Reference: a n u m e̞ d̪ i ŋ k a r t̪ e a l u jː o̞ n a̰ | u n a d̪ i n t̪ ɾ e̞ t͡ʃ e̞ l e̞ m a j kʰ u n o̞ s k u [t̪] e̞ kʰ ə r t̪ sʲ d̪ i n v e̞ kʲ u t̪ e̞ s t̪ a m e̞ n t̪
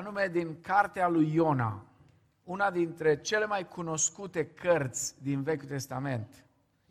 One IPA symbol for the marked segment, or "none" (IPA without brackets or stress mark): t̪